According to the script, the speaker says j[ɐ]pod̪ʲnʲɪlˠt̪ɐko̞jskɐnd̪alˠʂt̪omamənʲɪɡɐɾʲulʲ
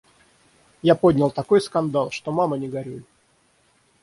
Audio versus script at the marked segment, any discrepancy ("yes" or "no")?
yes